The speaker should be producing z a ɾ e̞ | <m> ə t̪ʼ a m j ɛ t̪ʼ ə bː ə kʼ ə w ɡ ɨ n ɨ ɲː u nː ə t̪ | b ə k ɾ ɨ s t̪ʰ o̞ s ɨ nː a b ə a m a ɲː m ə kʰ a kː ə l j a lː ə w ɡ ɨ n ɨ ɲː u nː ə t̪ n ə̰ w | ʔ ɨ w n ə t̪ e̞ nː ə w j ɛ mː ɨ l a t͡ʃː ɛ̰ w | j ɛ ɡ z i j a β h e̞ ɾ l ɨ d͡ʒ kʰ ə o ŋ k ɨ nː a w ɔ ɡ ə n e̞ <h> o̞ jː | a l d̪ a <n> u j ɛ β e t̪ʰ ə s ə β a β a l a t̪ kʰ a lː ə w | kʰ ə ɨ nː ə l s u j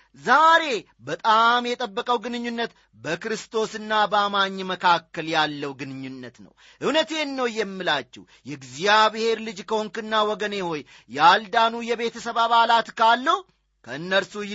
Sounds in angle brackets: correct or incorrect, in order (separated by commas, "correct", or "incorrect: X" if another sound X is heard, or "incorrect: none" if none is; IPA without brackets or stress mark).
incorrect: b, correct, correct